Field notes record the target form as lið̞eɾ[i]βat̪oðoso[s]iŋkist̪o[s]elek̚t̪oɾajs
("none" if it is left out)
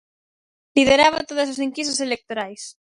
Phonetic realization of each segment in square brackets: a, s, s

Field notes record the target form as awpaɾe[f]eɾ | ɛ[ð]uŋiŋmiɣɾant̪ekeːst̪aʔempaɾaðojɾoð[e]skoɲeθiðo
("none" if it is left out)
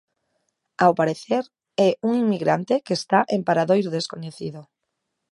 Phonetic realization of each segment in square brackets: θ, none, e

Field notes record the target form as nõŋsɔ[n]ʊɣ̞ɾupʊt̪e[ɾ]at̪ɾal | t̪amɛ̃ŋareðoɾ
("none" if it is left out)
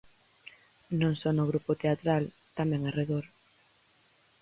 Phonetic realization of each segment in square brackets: n, none

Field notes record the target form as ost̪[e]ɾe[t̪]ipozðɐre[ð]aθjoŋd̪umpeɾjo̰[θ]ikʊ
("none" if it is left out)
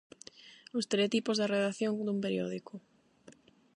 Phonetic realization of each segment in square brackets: e, t̪, ð, ð

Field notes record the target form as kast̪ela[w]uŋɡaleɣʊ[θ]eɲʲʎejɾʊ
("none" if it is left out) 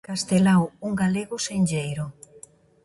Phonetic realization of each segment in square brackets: w, s

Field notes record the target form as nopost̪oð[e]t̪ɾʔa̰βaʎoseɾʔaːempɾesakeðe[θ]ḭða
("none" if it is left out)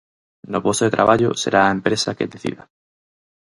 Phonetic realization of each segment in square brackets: e, θ

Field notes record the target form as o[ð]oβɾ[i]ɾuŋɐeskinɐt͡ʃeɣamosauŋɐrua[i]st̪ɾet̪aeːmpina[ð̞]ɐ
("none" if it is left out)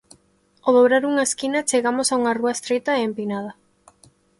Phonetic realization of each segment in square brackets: ð, a, e, ð̞

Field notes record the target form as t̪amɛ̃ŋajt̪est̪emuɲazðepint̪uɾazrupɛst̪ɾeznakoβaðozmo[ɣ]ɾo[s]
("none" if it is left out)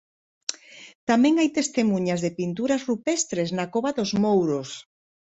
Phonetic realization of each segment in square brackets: w, s

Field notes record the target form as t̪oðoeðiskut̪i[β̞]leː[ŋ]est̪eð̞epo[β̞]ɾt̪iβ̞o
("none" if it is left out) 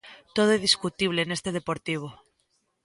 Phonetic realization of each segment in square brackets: β̞, n, none

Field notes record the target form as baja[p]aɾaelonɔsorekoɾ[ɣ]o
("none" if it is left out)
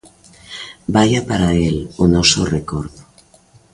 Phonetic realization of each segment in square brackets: p, ð

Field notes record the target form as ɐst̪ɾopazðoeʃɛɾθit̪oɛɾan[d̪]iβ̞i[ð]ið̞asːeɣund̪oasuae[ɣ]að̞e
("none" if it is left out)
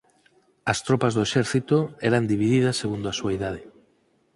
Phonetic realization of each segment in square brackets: d̪, ð, ð

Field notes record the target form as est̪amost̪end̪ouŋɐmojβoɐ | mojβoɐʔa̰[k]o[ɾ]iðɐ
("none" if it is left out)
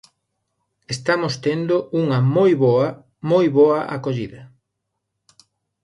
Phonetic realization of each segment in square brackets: k, ʎ

